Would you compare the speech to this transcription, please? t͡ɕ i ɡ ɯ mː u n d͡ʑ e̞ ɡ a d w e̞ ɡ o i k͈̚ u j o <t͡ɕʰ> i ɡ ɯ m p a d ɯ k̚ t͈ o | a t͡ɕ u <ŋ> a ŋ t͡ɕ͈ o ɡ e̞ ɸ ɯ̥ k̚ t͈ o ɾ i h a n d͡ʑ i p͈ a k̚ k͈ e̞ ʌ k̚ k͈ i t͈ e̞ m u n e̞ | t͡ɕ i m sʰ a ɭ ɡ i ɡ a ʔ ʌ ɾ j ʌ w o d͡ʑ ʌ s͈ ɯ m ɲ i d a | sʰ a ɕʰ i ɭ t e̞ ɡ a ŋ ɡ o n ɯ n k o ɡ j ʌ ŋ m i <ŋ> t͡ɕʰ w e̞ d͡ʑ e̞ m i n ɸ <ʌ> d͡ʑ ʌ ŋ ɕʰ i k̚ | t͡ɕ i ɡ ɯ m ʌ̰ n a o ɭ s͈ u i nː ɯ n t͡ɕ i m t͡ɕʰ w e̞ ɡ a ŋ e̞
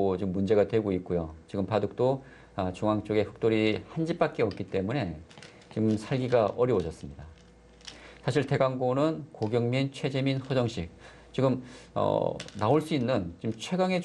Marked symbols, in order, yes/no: no, yes, no, yes

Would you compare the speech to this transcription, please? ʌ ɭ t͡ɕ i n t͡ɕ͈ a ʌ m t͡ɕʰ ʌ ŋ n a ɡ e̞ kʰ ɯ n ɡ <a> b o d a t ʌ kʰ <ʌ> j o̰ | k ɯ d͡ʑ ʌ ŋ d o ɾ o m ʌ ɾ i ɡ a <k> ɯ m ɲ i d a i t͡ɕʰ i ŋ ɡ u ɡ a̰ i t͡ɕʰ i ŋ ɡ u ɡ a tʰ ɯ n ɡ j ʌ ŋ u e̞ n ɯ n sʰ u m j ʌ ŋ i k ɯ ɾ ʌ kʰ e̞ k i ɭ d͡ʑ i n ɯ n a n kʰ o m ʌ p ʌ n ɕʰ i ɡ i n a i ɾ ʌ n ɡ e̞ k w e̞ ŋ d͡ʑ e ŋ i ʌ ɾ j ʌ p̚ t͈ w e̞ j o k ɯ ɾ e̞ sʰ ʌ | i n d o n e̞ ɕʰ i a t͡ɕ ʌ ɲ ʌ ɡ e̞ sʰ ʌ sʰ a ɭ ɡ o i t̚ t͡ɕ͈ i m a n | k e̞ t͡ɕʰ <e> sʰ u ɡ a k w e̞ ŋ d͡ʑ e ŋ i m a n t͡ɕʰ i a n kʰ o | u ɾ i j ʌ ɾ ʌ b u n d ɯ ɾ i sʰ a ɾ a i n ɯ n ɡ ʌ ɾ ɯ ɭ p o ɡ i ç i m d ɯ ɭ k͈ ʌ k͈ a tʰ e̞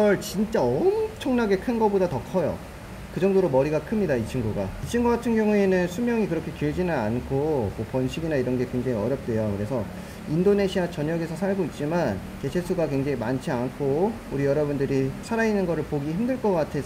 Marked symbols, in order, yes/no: no, yes, no, yes

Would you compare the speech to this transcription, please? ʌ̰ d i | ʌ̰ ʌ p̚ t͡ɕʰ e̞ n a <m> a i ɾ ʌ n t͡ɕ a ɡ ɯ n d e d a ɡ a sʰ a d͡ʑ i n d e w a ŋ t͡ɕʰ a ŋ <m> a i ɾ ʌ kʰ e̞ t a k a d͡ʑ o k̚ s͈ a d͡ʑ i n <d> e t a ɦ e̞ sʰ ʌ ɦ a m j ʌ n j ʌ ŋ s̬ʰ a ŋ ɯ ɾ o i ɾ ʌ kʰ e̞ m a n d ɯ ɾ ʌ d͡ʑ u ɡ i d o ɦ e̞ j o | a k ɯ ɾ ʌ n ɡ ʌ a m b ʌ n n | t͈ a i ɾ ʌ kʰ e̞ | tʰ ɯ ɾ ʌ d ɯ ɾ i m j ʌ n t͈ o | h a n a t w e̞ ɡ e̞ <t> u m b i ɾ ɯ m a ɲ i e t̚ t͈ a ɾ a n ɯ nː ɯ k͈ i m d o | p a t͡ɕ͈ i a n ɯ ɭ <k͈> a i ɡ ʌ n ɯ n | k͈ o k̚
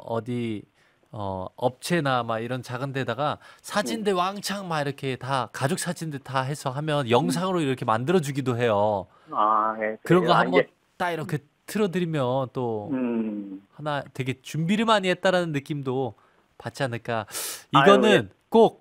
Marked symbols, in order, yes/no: yes, yes, yes, no, yes

